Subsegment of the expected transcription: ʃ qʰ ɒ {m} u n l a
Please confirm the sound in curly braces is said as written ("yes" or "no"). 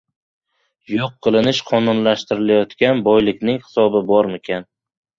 no